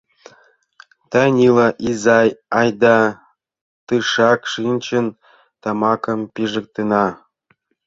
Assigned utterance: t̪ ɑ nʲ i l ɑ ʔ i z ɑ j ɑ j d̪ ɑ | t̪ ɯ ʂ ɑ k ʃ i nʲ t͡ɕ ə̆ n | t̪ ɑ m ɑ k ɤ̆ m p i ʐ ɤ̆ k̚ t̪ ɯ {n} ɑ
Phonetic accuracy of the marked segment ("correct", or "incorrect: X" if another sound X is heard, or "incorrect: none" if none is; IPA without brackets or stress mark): correct